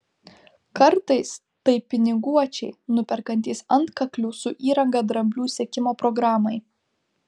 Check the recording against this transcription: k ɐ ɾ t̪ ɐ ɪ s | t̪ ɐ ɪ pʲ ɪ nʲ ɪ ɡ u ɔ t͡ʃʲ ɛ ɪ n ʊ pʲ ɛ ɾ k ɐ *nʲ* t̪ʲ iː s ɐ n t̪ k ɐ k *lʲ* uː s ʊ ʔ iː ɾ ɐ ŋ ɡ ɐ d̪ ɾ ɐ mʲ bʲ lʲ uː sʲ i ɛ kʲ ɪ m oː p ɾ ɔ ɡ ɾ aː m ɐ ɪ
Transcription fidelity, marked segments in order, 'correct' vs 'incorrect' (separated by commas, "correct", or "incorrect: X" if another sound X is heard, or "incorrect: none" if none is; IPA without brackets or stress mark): correct, correct